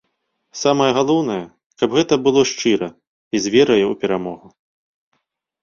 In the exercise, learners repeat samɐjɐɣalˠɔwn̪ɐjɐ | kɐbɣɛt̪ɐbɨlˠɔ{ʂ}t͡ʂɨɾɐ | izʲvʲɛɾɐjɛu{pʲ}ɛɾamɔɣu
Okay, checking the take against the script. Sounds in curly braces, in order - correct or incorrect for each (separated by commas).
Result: correct, correct